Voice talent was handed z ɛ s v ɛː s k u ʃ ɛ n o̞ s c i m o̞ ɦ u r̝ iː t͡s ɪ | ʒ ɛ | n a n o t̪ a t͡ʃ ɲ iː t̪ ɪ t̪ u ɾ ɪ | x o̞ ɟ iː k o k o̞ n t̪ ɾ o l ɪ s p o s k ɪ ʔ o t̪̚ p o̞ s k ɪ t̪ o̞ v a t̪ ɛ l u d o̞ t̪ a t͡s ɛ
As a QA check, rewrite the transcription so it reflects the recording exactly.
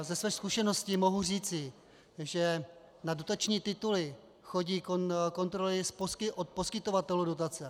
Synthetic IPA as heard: z ɛ s v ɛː s k u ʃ ɛ n o̞ s c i m o̞ ɦ u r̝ iː t͡s ɪ | ʒ ɛ | n a d o t̪ a t͡ʃ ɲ iː t̪ ɪ t̪ u l ɪ | x o̞ ɟ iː k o k o̞ n t̪ ɾ o l ɪ s p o s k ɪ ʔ o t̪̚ p o̞ s k ɪ t̪ o̞ v a t̪ ɛ l u d o̞ t̪ a t͡s ɛ